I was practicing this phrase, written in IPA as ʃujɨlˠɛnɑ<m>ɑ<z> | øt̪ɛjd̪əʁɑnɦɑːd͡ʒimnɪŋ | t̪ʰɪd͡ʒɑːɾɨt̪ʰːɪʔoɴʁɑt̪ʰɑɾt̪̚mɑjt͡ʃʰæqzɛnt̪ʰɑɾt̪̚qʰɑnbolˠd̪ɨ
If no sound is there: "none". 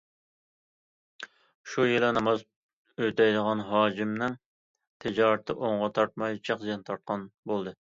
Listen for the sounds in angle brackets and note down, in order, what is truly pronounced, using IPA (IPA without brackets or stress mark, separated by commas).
m, z